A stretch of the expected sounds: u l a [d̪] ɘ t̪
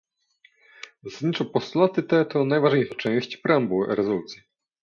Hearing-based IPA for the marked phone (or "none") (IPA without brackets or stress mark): t̪